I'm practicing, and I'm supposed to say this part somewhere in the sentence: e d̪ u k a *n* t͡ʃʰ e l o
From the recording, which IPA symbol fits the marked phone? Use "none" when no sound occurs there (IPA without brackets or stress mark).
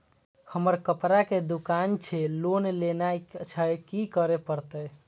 n